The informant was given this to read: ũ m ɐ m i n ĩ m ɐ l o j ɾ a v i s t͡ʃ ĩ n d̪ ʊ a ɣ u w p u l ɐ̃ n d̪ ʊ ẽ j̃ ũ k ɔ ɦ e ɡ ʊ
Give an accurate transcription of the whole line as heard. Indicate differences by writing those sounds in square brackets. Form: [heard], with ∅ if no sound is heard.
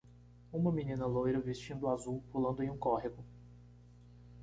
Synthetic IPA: ũ m ɐ m i n ĩ [n] ɐ l o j ɾ [ɐ] v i s t͡ʃ ĩ n d̪ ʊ a [z] u w p u l ɐ̃ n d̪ ʊ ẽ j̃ ũ k ɔ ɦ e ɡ ʊ